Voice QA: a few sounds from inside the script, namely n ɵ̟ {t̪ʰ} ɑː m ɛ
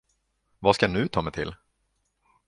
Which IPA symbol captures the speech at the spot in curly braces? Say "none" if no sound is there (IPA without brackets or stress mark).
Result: t̪ʰ